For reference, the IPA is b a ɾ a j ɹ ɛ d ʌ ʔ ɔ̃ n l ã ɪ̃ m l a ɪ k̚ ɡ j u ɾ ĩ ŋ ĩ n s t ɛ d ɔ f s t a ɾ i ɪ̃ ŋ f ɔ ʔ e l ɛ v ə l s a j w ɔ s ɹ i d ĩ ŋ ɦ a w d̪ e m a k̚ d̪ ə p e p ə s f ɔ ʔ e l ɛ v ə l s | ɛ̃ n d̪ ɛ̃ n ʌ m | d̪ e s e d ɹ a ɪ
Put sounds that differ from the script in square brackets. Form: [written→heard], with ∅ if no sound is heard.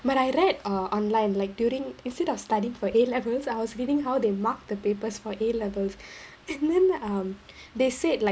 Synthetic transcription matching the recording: b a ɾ a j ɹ ɛ d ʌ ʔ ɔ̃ n l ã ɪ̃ [m→n] l a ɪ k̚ [ɡ→d] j u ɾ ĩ ŋ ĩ n s t ɛ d ɔ f s t a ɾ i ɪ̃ ŋ f ɔ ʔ e l ɛ v ə l s a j w ɔ s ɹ i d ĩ ŋ ɦ a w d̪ e m a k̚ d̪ ə p e p ə s f ɔ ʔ e l ɛ v ə l s | ɛ̃ n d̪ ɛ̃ n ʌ m | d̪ e s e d [ɹ→l] a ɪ